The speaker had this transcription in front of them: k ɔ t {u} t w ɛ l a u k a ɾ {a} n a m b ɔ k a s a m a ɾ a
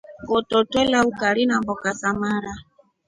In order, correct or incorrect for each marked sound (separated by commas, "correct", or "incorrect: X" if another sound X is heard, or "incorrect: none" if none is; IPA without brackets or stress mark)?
incorrect: ɔ, incorrect: i